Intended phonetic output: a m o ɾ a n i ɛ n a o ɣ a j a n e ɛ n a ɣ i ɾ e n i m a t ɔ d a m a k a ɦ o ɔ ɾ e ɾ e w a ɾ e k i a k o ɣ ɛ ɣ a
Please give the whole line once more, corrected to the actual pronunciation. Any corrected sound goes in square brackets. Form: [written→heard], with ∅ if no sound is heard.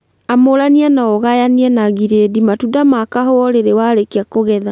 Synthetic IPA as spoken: a m o ɾ a n i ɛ n a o ɣ a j a n [e→i] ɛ n a ɣ i ɾ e [n→d] i m a t [ɔ→u] d a m a k a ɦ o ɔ ɾ e ɾ e w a ɾ e k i a k o ɣ ɛ [ɣ→ð] a